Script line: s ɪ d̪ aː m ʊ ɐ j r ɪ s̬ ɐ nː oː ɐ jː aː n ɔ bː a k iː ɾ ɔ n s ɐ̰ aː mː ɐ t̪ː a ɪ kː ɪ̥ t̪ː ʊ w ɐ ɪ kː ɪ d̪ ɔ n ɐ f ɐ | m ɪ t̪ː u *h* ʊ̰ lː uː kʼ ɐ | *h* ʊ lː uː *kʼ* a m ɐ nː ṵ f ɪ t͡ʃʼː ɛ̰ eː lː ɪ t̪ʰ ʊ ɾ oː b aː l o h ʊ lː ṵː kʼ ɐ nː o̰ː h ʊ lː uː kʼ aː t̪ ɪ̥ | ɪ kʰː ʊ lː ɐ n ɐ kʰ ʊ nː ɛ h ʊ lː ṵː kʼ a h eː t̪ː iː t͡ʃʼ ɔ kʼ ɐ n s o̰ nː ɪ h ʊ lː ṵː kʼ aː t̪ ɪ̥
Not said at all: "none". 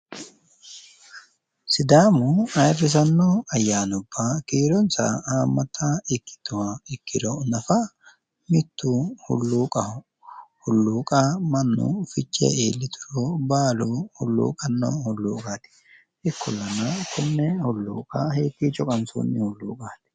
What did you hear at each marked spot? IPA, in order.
h, h, kʼ

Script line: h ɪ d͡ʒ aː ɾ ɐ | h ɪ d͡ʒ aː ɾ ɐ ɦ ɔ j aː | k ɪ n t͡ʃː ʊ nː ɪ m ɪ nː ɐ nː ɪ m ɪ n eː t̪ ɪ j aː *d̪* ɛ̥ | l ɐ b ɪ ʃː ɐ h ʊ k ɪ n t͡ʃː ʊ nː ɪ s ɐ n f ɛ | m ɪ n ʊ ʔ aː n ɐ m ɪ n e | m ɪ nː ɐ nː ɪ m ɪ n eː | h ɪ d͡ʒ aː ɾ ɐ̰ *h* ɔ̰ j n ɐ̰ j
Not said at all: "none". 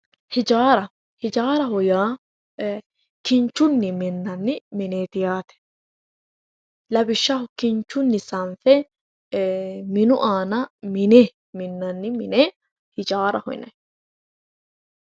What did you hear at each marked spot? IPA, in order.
t̪, h

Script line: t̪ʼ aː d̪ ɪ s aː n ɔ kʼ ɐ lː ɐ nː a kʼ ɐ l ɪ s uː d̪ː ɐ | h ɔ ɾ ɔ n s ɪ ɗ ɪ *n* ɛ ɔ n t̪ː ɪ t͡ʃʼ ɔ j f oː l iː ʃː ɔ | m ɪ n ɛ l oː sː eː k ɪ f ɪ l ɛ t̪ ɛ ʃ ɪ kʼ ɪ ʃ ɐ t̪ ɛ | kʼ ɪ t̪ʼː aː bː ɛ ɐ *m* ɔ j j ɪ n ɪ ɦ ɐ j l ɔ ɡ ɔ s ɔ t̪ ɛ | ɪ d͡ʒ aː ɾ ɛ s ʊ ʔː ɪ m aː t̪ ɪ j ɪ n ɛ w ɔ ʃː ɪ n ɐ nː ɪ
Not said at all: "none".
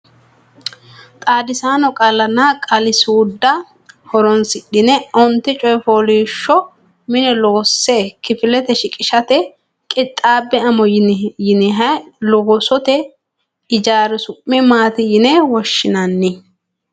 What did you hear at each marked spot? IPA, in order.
n, m

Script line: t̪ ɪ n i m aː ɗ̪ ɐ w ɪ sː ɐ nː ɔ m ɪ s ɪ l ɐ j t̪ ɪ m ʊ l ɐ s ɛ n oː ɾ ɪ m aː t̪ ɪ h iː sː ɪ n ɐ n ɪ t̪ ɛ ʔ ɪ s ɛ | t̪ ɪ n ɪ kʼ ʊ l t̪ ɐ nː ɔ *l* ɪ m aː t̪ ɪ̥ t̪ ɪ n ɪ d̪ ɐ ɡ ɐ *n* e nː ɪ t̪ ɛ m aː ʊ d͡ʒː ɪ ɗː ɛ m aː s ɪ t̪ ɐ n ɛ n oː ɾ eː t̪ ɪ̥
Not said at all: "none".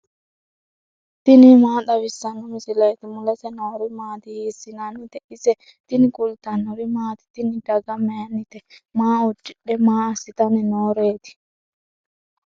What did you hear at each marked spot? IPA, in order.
ɾ, m

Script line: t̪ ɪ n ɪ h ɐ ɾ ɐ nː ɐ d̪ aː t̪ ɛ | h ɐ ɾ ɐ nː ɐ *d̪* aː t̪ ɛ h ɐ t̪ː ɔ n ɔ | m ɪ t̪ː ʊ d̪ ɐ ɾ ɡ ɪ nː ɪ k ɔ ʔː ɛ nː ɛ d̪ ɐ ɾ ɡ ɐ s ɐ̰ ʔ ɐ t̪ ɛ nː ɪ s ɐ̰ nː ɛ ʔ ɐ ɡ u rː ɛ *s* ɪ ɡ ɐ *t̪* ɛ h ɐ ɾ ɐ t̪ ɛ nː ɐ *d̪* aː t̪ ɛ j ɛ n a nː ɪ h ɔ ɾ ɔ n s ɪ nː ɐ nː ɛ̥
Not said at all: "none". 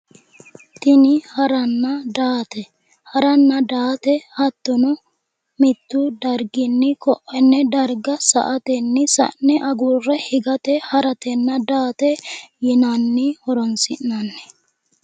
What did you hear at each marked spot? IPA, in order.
d̪, h, t̪, d̪

